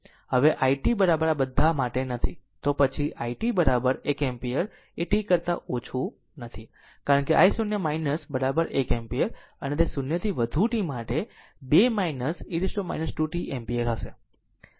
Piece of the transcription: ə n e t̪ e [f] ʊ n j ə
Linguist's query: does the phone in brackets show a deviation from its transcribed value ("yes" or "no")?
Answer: yes